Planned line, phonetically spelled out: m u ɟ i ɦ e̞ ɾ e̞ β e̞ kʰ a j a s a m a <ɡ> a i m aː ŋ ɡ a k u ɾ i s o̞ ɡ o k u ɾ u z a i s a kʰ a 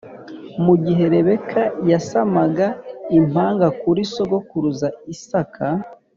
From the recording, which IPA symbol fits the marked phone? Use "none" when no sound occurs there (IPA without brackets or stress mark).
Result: ɡ